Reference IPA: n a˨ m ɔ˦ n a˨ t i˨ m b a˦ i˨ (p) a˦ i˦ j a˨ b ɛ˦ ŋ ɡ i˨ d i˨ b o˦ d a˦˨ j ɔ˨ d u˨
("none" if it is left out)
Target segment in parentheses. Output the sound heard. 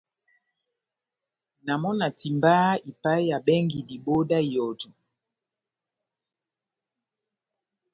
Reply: p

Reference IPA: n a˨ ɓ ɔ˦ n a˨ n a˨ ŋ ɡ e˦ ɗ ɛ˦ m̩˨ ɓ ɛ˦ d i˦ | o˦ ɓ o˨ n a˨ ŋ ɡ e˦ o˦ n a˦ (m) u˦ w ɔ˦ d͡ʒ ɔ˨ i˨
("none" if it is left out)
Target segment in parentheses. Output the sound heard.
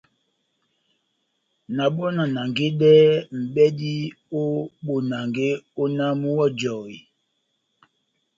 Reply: m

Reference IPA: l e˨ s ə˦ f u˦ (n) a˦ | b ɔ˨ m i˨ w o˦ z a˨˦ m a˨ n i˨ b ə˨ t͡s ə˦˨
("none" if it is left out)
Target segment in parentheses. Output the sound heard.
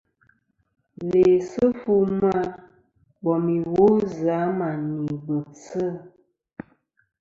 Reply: m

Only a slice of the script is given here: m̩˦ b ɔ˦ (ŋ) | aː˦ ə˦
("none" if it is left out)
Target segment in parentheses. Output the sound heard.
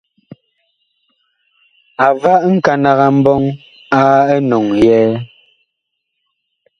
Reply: ŋ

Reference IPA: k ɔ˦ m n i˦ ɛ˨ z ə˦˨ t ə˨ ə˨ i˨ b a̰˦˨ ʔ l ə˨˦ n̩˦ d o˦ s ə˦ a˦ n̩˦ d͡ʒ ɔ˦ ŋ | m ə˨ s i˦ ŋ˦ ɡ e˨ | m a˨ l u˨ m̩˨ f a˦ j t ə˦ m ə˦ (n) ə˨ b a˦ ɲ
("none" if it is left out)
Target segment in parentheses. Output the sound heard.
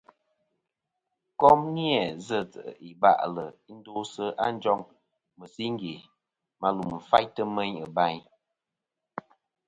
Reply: ɲ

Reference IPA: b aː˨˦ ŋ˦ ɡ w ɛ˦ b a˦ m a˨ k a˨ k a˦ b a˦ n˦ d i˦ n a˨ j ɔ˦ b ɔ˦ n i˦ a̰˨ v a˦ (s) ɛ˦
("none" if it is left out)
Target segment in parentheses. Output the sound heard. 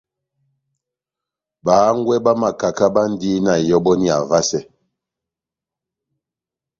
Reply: s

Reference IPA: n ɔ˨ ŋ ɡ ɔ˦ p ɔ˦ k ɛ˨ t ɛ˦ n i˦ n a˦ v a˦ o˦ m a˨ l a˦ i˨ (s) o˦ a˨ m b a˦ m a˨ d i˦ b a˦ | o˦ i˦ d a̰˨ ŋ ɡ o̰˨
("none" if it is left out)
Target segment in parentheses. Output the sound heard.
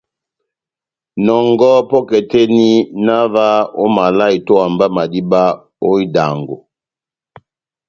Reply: t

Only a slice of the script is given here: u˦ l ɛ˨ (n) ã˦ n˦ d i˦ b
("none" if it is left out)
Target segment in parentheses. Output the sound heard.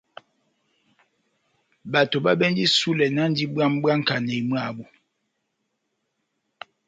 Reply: n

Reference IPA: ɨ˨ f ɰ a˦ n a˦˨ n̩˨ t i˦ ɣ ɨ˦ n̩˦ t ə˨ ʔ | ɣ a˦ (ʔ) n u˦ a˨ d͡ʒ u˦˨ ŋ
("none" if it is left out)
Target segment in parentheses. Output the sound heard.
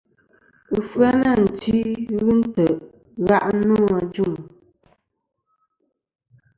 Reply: ʔ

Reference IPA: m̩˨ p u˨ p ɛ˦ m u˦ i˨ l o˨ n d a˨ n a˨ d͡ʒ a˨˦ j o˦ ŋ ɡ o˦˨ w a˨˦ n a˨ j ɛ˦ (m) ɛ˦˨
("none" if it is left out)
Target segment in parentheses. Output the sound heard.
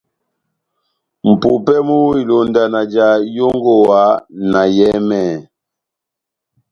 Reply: m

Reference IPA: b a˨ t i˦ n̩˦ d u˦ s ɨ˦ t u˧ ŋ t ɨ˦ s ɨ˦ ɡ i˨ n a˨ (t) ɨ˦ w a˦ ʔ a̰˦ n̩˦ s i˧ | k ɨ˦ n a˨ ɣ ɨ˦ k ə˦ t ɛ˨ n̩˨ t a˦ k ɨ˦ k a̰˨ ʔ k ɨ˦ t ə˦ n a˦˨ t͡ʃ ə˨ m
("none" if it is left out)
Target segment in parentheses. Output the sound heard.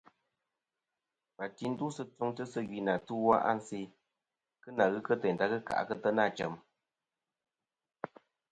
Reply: t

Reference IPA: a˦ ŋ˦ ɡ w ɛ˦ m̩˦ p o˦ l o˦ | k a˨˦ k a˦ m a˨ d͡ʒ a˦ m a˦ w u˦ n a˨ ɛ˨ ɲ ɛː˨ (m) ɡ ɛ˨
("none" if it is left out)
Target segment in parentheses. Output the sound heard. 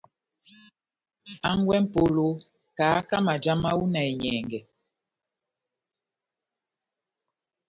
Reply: ŋ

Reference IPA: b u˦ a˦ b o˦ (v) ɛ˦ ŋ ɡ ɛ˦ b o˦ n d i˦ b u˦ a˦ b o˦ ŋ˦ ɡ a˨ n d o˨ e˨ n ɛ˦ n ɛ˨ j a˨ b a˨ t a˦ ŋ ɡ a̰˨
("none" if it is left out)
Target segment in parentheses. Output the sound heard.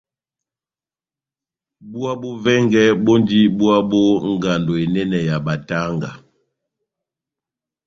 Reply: v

